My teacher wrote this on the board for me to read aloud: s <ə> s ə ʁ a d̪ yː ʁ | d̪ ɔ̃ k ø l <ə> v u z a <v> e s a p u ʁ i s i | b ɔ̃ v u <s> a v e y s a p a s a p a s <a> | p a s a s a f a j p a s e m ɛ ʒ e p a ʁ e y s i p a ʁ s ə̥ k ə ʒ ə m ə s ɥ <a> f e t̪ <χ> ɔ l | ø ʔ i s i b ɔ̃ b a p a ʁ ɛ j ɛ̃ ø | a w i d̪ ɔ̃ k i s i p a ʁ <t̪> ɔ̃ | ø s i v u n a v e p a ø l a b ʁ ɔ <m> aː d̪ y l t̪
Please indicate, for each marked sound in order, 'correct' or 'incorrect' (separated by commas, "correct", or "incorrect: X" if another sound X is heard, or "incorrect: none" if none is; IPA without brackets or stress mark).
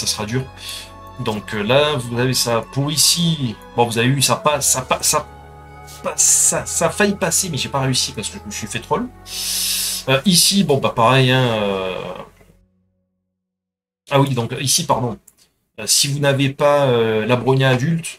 incorrect: a, incorrect: a, correct, incorrect: z, correct, incorrect: i, correct, incorrect: d̪, incorrect: ɲ